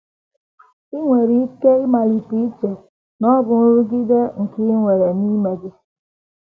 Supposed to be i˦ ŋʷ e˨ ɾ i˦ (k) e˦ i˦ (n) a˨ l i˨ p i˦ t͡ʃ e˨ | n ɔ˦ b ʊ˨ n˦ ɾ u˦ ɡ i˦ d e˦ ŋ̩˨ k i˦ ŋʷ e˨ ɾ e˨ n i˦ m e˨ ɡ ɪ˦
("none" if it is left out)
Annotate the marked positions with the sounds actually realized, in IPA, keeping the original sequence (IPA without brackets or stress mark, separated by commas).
k, m